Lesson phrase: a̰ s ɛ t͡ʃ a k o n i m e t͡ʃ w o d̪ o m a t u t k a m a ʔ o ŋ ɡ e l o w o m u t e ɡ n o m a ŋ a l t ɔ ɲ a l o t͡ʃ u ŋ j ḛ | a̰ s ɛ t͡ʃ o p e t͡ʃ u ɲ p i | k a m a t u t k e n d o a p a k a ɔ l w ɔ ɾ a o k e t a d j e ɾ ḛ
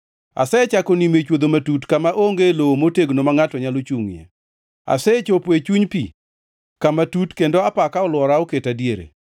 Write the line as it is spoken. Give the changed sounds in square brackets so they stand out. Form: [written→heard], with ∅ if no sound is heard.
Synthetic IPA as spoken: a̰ s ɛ t͡ʃ a k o n i m e t͡ʃ w o d̪ o m a t u t k a m a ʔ o ŋ ɡ e l o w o m [u→o] t e ɡ n o m a ŋ a [l→∅] t ɔ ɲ a l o t͡ʃ u ŋ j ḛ | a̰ s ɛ t͡ʃ o p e t͡ʃ u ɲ p i | k a m a t u t k e n d o a p a k a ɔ l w ɔ ɾ a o k e t a d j e ɾ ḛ